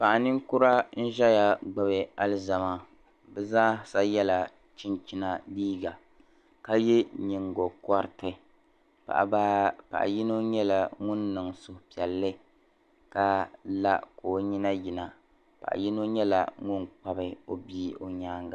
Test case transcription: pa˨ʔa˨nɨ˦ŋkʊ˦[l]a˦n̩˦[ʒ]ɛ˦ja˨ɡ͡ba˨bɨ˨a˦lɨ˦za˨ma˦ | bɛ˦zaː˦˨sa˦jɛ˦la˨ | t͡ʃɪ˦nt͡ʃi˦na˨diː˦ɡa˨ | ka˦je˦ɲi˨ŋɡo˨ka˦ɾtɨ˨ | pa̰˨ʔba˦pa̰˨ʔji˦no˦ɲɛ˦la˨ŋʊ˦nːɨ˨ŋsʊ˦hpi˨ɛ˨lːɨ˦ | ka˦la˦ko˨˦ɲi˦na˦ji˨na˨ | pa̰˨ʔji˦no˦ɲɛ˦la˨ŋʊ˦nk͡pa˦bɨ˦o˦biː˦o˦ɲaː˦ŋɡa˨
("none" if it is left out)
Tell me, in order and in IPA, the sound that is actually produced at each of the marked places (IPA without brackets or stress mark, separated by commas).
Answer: ɾ, ʒ